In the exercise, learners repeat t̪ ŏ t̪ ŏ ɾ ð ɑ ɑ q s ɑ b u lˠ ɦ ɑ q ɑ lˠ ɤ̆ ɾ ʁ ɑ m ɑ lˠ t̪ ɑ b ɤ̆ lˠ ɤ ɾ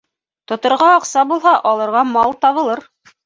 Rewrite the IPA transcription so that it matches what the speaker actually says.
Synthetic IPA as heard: t̪ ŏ t̪ ŏ ɾ ʁ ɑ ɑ q s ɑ b u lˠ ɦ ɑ ʔ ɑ lˠ ɤ̆ ɾ ʁ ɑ m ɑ lˠ t̪ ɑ β ɤ̆ lˠ ɤ ɾ